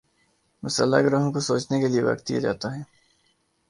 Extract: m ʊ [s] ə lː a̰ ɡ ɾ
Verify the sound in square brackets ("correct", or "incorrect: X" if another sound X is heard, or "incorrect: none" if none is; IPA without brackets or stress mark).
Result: correct